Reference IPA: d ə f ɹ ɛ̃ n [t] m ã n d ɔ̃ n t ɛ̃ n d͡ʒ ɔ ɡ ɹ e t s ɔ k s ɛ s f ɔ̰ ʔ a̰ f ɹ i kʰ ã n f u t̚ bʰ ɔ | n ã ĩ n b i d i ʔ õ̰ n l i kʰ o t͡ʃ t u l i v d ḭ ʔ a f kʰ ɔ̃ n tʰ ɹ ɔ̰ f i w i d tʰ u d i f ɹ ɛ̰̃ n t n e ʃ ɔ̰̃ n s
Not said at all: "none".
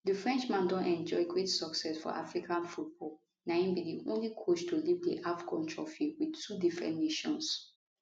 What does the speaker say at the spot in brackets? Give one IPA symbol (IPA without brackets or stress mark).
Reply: t͡ʃ